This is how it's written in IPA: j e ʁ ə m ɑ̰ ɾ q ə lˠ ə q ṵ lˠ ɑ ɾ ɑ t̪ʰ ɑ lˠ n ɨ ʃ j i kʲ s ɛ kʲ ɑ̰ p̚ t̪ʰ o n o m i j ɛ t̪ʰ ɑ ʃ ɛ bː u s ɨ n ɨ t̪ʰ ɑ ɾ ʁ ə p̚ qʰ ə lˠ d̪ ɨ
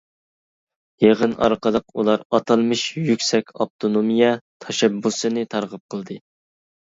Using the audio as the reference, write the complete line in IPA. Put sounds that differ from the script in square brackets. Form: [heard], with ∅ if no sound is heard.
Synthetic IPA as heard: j e ʁ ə [n] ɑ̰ ɾ q ə lˠ ə q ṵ lˠ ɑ ɾ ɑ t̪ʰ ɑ lˠ [m] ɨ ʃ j [y] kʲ s ɛ kʲ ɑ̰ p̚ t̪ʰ o n o m i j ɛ t̪ʰ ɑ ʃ ɛ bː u s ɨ n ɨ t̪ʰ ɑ ɾ ʁ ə p̚ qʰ ə lˠ d̪ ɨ